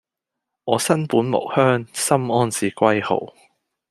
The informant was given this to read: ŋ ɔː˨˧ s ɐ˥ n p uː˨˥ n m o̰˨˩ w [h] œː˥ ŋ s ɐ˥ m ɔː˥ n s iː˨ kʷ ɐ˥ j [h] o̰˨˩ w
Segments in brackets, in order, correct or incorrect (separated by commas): correct, correct